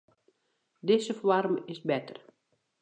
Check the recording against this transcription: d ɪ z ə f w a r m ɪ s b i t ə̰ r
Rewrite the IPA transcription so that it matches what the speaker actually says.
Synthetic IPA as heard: d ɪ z ə f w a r m ɪ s b ɛ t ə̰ r

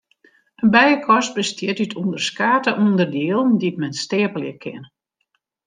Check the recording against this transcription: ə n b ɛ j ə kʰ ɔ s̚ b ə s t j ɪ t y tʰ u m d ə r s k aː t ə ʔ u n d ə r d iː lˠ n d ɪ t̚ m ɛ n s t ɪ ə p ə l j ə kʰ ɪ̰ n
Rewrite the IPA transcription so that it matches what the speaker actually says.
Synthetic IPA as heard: ə n b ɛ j ə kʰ ɔ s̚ b ə s t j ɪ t y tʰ u n d ə r s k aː t ə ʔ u n d ə r d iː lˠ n d i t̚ m ɛ n s t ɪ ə p ə l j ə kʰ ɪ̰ n

